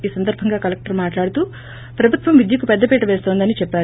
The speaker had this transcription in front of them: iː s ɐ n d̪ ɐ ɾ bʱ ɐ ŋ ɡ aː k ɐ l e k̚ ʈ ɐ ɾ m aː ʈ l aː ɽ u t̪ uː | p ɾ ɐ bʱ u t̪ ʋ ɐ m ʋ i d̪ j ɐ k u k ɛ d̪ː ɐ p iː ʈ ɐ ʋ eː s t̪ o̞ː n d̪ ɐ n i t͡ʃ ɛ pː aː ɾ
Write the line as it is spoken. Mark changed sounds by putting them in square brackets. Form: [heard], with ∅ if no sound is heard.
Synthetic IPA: iː s ɐ n d̪ ɐ ɾ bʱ ɐ ŋ ɡ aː k ɐ l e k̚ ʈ ɐ ɾ m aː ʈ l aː ɽ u t̪ uː | p ɾ ɐ bʱ u t̪ ʋ ɐ m ʋ i d̪ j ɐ k u [p] ɛ d̪ː ɐ p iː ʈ ɐ ʋ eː s t̪ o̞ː n d̪ ɐ n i t͡ʃ ɛ pː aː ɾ

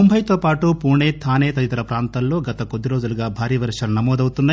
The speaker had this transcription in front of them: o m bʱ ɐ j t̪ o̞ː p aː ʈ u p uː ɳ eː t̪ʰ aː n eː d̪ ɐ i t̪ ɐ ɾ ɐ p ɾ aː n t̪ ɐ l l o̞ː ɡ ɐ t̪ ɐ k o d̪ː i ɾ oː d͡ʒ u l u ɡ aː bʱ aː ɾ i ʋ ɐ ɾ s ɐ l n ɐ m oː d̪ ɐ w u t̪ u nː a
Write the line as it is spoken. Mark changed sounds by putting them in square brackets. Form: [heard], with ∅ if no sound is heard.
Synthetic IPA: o m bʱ ɐ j t̪ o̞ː p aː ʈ u p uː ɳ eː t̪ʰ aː n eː [t̪] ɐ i t̪ ɐ ɾ ɐ p ɾ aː n t̪ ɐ l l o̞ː ɡ ɐ t̪ ɐ k o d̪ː i ɾ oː d͡ʒ u l u ɡ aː bʱ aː ɾ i ʋ ɐ ɾ [ʂ] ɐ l n ɐ m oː d̪ ɐ w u t̪ u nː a

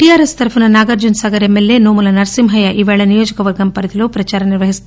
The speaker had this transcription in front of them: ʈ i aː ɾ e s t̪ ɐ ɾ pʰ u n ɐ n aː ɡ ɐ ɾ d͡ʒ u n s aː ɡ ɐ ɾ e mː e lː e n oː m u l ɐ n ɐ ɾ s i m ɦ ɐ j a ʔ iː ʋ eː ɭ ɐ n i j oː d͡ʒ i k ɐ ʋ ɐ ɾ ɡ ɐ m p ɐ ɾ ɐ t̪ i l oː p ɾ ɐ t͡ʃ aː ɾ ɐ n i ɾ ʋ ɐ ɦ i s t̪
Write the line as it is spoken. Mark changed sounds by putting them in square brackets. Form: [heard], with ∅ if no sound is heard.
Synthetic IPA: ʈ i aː ɾ e s t̪ ɐ ɾ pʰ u n ɐ n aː ɡ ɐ ɾ d͡ʒ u n s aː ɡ ɐ ɾ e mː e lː e n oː m u l ɐ n ɐ ɾ s i m ɦ ɐ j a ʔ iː ʋ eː ɭ ɐ n i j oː d͡ʒ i k ɐ ʋ ɐ ɾ ɡ ɐ m p ɐ ɾ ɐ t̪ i l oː p ɾ ɐ t͡ʃ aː ɾ ɐ n i ɾ ʋ ɐ ɦ i s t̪

